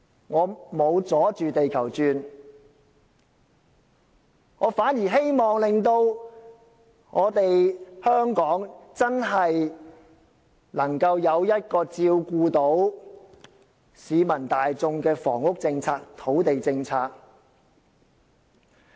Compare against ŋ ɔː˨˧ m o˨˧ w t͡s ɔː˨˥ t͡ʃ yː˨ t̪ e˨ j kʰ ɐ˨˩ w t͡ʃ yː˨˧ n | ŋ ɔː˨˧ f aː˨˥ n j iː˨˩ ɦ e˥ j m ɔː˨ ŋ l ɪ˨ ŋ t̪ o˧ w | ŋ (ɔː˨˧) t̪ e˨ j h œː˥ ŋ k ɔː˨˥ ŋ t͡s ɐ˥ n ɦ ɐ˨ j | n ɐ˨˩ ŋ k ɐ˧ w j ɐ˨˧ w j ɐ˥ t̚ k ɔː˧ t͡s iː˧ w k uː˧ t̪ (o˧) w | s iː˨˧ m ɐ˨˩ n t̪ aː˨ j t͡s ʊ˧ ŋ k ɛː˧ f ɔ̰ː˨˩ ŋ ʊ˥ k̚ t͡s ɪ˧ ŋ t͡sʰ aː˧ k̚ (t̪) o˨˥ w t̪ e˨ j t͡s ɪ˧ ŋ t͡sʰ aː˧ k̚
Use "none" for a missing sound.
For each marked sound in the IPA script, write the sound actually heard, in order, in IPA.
ɔː˨˧, o˨˥, t̪ʰ

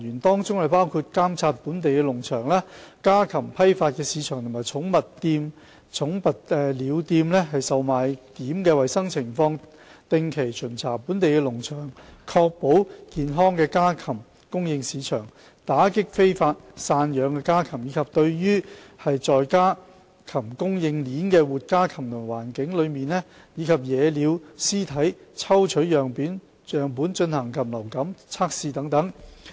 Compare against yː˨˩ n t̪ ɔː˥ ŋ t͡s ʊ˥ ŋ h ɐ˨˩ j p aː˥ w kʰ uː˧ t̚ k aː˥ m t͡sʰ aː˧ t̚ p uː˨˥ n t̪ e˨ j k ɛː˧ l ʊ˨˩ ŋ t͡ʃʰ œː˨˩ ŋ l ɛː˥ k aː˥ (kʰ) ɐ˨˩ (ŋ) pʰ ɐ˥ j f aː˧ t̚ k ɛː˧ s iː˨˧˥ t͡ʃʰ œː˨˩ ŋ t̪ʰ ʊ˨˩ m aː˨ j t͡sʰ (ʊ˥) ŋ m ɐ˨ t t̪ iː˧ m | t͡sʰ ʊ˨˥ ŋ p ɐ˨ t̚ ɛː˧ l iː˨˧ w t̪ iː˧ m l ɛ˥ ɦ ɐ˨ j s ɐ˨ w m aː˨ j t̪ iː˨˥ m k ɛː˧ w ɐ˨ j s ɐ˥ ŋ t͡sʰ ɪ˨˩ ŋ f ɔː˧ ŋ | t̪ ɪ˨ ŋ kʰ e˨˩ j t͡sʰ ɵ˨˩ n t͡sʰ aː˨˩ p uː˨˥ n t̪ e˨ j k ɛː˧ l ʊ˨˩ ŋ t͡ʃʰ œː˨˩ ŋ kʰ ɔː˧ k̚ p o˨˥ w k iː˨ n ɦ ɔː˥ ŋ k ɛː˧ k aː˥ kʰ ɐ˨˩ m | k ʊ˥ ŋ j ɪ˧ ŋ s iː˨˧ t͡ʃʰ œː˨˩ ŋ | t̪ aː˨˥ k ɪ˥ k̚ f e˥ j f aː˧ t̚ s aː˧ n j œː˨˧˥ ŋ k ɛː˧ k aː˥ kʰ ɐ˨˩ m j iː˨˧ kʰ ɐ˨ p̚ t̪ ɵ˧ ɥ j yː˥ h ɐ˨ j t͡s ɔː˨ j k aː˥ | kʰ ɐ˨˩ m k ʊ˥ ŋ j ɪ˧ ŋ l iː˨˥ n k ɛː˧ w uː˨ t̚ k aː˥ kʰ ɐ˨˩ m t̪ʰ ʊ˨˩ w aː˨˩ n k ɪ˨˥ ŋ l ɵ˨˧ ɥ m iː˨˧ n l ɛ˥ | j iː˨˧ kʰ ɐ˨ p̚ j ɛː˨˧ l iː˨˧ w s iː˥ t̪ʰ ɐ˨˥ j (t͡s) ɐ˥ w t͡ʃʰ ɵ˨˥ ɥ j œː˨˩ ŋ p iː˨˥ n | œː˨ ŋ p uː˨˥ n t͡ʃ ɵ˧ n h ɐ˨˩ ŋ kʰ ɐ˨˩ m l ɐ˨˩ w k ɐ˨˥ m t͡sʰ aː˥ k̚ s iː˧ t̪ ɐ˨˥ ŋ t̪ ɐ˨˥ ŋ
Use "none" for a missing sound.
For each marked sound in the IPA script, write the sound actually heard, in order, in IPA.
kʰ, m, ʊ˨˥, t͡sʰ

